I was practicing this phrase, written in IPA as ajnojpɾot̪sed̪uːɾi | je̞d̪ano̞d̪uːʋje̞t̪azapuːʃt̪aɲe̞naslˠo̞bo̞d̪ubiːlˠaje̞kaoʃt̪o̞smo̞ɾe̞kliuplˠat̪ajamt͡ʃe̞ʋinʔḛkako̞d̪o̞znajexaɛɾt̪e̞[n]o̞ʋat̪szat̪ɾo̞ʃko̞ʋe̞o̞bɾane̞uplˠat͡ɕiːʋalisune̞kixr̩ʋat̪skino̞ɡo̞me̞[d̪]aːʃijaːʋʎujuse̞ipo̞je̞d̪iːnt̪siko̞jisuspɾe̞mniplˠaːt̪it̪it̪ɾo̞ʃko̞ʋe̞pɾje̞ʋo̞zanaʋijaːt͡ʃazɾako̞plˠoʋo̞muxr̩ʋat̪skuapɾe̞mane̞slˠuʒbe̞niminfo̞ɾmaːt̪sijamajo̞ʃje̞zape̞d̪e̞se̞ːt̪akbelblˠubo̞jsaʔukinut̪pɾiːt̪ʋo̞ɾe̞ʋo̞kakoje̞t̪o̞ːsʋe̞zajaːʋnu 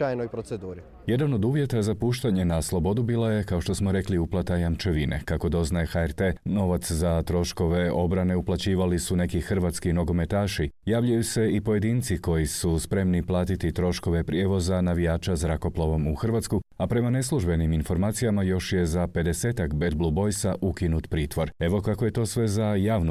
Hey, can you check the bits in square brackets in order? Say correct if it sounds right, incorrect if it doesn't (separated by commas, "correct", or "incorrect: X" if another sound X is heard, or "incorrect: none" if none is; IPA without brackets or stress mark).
correct, incorrect: t̪